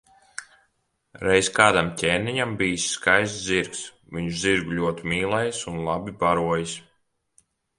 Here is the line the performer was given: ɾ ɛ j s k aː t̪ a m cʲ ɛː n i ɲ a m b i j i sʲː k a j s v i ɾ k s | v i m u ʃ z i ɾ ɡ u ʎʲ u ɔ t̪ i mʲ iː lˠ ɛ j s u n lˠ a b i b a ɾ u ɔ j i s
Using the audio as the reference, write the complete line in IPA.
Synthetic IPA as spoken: ɾ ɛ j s k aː d̪ a m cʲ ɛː n i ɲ a m b i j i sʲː k a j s z i ɾ k s | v i ɲ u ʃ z i ɾ ɡ u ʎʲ u ɔ t̪ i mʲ iː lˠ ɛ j s u n lˠ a b i b a ɾ u ɔ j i s